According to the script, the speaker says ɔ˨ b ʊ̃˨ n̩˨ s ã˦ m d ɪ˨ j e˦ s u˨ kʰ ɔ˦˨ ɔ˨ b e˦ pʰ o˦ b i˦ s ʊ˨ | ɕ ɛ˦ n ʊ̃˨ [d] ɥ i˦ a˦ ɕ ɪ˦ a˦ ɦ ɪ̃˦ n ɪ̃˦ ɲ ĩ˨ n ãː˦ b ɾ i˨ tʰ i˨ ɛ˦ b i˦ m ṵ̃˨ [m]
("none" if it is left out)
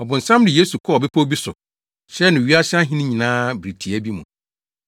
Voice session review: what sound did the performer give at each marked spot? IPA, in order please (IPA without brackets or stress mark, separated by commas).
none, none